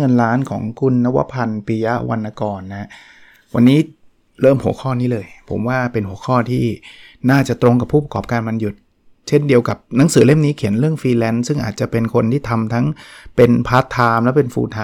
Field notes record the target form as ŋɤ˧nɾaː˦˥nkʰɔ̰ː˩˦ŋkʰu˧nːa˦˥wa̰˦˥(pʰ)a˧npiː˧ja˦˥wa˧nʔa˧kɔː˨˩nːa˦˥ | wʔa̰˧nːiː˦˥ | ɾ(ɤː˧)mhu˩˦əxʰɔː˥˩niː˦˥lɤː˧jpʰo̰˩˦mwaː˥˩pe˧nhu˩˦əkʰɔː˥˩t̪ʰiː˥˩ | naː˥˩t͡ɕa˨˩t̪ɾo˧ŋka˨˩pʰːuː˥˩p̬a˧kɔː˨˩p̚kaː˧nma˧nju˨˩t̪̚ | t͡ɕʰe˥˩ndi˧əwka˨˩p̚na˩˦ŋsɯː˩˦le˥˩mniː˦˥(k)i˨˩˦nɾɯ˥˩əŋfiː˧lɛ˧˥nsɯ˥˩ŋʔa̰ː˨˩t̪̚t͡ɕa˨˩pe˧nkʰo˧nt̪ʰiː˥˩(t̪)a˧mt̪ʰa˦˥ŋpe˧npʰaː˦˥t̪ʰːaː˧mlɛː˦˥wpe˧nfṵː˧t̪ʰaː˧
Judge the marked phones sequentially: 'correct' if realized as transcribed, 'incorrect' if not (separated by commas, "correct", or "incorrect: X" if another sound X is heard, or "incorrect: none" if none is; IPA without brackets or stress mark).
correct, incorrect: ɤː˥˩, incorrect: kʰ, incorrect: t̪ʰ